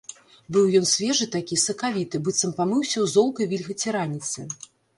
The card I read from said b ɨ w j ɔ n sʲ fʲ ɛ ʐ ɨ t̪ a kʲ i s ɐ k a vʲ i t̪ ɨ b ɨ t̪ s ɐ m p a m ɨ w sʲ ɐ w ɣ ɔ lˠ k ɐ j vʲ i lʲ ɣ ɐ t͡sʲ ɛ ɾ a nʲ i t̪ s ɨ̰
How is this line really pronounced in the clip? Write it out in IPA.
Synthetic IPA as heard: b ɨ w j ɔ n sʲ vʲ ɛ ʐ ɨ t̪ a kʲ i s ɐ k a vʲ i t̪ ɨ b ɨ t̪ s ɐ m p a m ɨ w sʲ ɐ w z ɔ lˠ k ɐ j vʲ i lʲ ɣ ɐ t͡sʲ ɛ ɾ a nʲ i t̪ s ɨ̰